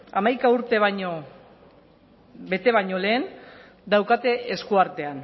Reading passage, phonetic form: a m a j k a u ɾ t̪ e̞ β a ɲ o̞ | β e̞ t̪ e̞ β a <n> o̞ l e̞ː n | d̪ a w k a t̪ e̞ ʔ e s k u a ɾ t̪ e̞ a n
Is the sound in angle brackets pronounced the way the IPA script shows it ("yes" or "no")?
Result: no